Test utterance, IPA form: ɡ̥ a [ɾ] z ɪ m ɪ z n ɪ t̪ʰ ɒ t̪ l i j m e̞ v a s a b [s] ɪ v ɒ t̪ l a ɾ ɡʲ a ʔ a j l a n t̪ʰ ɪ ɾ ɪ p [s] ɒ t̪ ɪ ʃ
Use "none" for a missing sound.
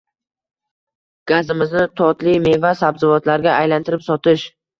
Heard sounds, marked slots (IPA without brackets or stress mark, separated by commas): none, z, s